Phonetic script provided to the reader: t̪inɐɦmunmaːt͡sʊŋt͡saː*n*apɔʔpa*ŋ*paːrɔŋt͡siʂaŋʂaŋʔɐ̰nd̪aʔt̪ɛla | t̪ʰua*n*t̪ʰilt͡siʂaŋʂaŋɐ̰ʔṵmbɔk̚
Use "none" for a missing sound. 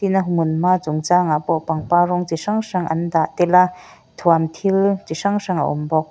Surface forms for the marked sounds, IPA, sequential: ŋ, ŋ, m

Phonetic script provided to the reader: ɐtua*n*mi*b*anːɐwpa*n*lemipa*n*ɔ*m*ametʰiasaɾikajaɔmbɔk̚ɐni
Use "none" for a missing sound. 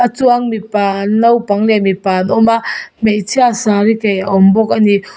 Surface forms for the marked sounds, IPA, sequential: ŋ, p, ŋ, n, m

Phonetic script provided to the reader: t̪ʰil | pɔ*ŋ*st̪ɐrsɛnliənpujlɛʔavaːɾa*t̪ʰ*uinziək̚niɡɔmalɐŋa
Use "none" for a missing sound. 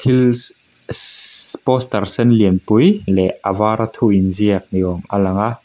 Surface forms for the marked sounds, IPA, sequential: none, t̪ʰ

